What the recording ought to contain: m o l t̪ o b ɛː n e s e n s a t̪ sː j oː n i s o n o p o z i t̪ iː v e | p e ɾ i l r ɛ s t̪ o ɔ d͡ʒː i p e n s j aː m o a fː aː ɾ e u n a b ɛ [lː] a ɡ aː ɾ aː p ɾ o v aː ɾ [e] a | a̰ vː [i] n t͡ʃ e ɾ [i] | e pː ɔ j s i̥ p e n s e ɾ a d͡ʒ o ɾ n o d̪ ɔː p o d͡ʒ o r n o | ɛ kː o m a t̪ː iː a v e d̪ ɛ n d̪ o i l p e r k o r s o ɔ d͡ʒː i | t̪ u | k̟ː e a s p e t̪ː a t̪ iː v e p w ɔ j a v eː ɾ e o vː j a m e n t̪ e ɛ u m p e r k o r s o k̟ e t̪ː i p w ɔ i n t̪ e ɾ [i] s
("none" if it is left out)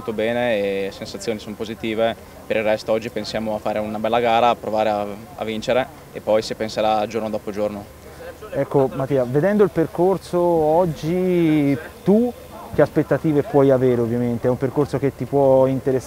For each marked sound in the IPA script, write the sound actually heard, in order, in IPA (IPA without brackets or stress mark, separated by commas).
lː, e, i, e, e